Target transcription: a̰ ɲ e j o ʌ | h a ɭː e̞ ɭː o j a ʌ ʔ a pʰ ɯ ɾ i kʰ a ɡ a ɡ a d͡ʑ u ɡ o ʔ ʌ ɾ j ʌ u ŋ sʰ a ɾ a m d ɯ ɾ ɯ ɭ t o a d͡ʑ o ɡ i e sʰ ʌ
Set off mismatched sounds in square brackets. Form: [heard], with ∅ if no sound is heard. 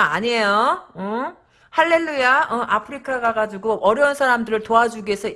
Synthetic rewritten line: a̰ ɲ e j o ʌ | h a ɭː e̞ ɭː [u] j a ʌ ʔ a pʰ ɯ ɾ i kʰ a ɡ a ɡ a d͡ʑ u ɡ o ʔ ʌ ɾ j ʌ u [n] sʰ a ɾ a m d ɯ ɾ ɯ ɭ t o a d͡ʑ [u] ɡ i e sʰ ʌ